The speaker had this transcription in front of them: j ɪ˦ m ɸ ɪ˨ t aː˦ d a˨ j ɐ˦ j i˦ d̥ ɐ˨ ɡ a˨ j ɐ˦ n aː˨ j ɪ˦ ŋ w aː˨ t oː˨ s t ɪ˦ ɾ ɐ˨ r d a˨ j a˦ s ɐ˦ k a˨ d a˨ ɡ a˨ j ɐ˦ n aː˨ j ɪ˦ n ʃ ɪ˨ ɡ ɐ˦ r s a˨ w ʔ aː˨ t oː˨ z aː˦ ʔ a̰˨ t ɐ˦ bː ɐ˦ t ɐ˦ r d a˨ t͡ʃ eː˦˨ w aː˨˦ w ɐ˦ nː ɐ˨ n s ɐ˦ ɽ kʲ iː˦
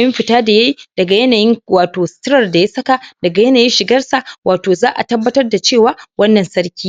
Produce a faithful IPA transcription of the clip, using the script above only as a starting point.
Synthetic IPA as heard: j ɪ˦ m ɸ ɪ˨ t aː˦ d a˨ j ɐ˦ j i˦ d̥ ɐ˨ ɡ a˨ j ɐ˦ n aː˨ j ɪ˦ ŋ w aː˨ t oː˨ s t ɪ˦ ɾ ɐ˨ r d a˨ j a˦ s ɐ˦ k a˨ d ɐ˨ ɡ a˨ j ɐ˦ n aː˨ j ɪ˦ n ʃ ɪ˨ ɡ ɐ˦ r s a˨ w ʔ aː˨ t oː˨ z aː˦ ʔ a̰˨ t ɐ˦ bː ɐ˦ t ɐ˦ r d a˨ t͡ʃ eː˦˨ w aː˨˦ w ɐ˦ nː ɐ˨ n s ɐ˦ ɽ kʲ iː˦